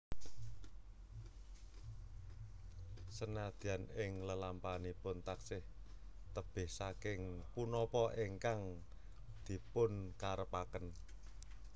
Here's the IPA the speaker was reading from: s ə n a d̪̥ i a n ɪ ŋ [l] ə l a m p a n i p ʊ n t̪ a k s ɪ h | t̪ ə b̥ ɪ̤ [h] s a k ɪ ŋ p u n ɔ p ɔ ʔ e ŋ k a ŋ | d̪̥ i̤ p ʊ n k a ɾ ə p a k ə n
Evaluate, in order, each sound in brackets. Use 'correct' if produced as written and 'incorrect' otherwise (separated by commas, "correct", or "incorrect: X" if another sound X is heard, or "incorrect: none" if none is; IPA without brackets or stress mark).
correct, correct